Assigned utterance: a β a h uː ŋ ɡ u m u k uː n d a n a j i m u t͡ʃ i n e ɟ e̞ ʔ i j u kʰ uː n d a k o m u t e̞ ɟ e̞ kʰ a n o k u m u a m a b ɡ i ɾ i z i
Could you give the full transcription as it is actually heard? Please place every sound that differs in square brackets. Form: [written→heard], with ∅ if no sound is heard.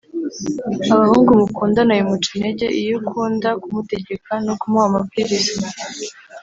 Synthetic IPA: a β a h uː ŋ ɡ u m u k uː n d a n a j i m u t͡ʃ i n e ɟ e̞ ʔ i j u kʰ uː n d a k [o→u] m u t e̞ ɟ e̞ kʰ a n o k u m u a m a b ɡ i ɾ i z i